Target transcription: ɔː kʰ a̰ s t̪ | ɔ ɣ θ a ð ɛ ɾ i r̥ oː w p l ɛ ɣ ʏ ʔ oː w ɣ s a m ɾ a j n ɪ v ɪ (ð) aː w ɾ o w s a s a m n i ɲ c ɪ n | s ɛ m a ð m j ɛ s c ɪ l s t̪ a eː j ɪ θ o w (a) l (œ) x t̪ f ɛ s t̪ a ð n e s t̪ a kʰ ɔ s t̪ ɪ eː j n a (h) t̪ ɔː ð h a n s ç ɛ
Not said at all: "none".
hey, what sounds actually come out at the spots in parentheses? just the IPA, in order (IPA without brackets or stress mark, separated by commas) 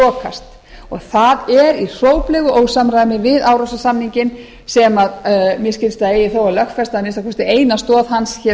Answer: ð, a, œ, s